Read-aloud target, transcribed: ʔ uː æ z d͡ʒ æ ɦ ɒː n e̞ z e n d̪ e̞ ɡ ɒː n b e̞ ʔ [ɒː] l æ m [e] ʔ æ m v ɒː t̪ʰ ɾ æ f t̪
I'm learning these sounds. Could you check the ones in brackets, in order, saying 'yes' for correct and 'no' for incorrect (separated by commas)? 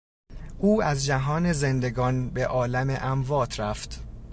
yes, yes